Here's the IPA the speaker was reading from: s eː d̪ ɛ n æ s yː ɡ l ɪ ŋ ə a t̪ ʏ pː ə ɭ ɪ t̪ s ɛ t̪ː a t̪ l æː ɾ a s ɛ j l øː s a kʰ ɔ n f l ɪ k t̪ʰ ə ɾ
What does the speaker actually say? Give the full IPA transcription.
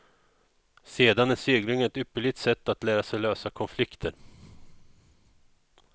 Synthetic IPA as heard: s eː d̪ a n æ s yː ɡ l ɪ ŋ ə ɛ t̪ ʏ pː ə ɭ ɪ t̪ s ɛ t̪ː a t̪ l æː ɾ a s ɛ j l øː s a kʰ ɔ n f l ɪ k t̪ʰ ə ɾ